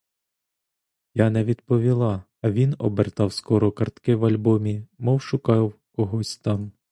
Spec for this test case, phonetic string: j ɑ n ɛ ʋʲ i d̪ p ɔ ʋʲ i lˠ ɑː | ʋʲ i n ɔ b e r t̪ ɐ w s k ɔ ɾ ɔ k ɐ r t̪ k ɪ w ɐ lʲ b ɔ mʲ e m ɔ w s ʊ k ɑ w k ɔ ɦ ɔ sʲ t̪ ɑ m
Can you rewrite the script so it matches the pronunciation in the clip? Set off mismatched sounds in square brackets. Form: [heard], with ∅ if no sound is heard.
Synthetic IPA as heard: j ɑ n ɛ ʋʲ i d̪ p ɔ ʋʲ i lˠ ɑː | ʋʲ i n ɔ b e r t̪ [ɑ] w s k ɔ ɾ ɔ k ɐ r t̪ k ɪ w ɐ lʲ b ɔ mʲ [i] m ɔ w [ʃ] ʊ k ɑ w k ɔ ɦ ɔ sʲ t̪ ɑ m